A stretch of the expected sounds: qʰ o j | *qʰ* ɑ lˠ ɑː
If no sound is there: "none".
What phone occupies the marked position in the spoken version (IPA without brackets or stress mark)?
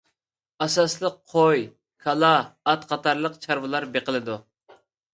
kʰ